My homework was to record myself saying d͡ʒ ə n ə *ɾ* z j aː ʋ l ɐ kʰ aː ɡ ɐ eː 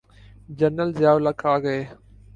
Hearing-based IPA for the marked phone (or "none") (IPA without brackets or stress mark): l